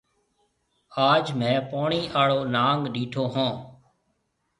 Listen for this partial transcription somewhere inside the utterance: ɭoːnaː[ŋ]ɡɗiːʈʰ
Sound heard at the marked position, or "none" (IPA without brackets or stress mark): ŋ